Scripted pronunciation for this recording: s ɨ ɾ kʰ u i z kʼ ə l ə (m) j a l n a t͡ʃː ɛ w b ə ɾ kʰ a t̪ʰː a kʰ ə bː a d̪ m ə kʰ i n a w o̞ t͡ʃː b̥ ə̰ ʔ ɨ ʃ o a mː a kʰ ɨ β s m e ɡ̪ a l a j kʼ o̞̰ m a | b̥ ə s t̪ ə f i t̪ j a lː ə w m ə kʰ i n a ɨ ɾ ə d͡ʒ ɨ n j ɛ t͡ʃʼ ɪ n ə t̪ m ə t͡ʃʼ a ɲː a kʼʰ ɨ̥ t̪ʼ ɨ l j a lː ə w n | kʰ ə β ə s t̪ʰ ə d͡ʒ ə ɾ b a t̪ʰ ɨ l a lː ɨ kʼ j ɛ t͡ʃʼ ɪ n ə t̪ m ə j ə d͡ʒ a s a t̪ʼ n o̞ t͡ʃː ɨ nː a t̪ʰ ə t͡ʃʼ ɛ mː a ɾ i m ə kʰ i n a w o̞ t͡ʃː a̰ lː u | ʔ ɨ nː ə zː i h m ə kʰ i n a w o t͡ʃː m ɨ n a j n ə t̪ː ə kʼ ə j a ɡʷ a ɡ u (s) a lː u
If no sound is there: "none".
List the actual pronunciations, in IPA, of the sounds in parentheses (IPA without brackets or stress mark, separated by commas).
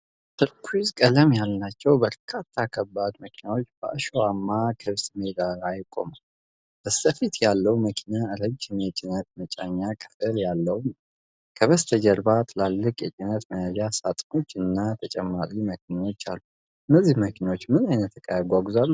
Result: m, z